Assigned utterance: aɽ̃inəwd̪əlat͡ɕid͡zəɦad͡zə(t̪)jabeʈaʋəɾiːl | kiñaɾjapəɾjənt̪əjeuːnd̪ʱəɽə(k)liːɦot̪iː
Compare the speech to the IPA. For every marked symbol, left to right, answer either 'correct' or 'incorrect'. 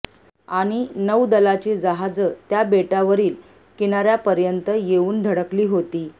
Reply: correct, correct

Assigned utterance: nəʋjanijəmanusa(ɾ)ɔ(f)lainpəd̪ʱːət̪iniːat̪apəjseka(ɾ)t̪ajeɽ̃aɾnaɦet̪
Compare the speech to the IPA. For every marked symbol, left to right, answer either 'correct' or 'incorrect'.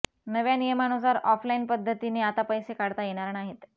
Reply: correct, correct, incorrect: ɽ

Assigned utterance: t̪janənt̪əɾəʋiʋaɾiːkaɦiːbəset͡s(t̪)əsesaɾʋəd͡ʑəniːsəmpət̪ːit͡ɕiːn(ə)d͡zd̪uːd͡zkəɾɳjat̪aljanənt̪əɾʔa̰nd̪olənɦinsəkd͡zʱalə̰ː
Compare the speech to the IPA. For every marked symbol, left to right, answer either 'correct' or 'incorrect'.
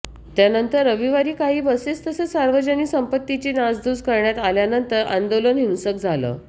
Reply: correct, incorrect: a

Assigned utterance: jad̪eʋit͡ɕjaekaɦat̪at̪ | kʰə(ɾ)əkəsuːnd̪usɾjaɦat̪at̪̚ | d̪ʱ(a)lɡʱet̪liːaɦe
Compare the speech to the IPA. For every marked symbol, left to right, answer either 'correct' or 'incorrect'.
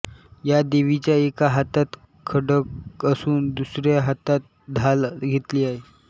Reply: incorrect: ɽ, correct

